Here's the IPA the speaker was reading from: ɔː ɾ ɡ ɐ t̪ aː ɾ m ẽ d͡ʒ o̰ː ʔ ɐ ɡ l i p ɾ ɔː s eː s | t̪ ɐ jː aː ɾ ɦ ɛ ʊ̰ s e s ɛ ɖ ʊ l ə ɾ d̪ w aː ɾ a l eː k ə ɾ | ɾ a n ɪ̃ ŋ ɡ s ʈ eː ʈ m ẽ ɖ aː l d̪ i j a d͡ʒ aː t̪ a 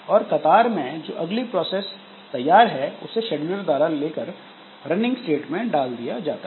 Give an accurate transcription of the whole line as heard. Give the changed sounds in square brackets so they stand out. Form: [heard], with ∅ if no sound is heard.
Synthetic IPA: ɔː ɾ [k] ɐ t̪ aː ɾ m ẽ d͡ʒ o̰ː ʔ ɐ ɡ l i p ɾ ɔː s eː s | t̪ ɐ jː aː ɾ ɦ ɛ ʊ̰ s e [ʃ] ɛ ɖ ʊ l ə ɾ d̪ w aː ɾ a l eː k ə ɾ | ɾ [ɐ] n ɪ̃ ŋ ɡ s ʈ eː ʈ m ẽ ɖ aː l d̪ i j a d͡ʒ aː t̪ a